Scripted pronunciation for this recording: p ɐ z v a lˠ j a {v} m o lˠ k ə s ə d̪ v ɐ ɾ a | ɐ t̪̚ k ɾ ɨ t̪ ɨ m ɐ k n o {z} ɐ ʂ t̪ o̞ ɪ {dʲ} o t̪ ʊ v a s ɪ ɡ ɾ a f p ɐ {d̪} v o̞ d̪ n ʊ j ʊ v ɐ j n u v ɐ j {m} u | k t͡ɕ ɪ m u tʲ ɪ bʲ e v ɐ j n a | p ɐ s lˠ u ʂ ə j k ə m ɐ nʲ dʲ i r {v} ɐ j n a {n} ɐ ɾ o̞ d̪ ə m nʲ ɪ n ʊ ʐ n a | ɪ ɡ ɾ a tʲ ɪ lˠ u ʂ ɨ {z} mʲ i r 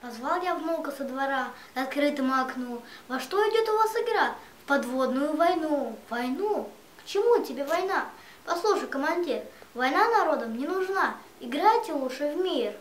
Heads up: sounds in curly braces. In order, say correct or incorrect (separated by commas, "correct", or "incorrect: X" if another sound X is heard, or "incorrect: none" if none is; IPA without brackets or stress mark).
correct, incorrect: v, correct, correct, incorrect: n, correct, correct, incorrect: v